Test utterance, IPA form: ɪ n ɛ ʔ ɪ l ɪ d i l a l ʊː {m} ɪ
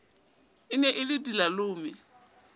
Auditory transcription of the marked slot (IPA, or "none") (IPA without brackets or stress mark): m